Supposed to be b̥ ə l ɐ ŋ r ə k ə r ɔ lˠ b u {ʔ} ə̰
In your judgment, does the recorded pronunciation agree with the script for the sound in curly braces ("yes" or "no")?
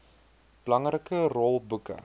no